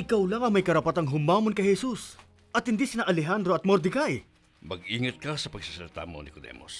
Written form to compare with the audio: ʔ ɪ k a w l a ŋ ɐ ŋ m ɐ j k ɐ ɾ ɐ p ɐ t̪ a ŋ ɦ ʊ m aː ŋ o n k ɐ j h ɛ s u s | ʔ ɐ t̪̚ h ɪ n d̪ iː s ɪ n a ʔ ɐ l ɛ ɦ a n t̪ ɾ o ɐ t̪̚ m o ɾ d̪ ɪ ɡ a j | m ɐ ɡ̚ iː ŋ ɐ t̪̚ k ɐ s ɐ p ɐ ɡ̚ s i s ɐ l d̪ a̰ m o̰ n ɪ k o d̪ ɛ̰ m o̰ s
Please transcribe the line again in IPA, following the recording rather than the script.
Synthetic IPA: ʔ ɪ k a w l a ŋ ɐ ŋ m ɐ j k ɐ ɾ ɐ p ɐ t̪ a ŋ ɦ ʊ m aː m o n k ɐ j h ɛ s u s | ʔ ɐ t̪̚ h ɪ n d̪ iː s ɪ n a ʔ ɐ l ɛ ɦ a n d̪ ɾ o ɐ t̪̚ m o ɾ d̪ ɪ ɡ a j | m ɐ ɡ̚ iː ŋ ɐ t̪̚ k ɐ s ɐ p ɐ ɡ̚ s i s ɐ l t̪ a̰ m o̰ n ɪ k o d̪ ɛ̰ m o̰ s